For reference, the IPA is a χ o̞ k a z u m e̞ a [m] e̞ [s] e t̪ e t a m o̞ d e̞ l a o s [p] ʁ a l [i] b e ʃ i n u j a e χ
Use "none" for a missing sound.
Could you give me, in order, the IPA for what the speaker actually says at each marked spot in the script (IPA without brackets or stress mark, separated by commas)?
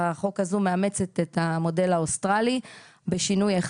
m, t͡s, t, i